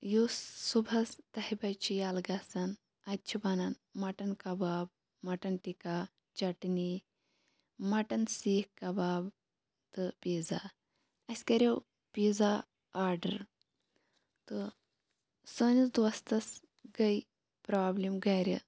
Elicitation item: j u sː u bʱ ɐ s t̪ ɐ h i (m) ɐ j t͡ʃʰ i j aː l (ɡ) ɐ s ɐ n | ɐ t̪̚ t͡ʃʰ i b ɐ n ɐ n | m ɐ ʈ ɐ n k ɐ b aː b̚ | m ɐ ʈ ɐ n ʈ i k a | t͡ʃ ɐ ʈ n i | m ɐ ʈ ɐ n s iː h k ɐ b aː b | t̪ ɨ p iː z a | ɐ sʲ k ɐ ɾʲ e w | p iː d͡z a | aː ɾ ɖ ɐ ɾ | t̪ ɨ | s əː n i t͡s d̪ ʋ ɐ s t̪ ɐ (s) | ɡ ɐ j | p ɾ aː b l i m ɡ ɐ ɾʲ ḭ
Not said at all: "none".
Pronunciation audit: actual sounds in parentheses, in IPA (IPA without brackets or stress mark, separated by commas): b, ɡ, s